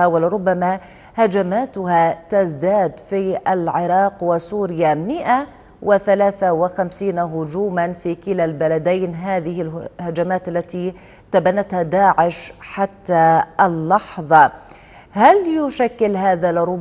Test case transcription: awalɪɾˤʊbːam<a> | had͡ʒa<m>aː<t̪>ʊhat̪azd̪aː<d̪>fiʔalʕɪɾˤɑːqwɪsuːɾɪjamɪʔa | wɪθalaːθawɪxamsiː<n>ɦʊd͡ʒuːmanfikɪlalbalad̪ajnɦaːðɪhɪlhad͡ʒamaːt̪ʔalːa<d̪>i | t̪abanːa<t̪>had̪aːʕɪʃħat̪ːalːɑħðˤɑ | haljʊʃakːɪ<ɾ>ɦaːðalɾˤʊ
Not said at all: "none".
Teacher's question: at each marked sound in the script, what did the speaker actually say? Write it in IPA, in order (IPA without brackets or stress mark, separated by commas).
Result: a, m, t̪, d̪, n, t̪, t̪, l